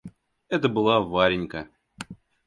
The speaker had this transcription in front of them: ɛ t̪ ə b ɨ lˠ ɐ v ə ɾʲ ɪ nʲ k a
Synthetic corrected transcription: ɛ t̪ ə b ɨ lˠ a v a ɾʲ ɪ nʲ k ə